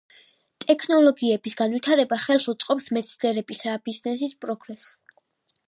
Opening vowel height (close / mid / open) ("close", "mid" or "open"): mid